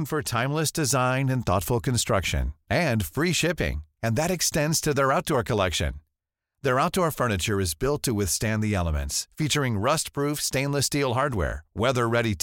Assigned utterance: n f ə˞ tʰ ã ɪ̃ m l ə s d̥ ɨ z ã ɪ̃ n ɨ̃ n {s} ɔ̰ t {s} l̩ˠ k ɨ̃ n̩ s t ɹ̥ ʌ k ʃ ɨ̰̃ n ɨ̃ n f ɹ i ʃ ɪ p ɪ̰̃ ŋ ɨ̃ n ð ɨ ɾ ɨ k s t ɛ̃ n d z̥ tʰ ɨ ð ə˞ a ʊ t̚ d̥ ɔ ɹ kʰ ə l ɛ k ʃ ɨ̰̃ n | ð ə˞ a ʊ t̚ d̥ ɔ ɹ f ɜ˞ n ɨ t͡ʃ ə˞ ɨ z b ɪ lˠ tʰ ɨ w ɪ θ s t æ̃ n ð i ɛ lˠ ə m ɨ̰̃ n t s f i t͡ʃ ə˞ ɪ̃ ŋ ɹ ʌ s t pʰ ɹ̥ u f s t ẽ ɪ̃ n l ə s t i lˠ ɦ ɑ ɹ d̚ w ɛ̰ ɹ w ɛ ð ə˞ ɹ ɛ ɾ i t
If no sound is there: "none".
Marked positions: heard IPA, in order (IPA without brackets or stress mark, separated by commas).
θ, f